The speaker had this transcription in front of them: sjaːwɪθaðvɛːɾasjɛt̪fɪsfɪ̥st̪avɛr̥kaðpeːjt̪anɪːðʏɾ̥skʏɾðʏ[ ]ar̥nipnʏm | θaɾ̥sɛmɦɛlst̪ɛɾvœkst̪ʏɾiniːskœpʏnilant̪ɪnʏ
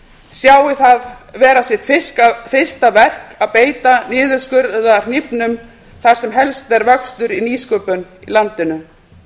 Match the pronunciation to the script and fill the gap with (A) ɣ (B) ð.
B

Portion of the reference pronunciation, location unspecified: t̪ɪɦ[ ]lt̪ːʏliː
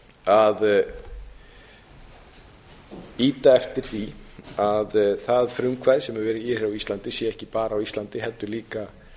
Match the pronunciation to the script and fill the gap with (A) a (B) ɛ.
B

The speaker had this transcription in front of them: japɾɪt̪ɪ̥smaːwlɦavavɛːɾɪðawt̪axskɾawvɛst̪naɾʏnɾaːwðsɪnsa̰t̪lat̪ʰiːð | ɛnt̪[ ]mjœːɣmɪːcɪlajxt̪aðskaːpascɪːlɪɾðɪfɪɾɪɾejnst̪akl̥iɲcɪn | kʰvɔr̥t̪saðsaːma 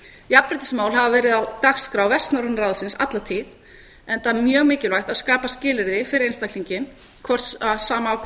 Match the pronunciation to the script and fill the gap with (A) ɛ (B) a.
B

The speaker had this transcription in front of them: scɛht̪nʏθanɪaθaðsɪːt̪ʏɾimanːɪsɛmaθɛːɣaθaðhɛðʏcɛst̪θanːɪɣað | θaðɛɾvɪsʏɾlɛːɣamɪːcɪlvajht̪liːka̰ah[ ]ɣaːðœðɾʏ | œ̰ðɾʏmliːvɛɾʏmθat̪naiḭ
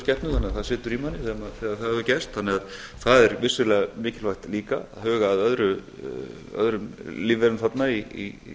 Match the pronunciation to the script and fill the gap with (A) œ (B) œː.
B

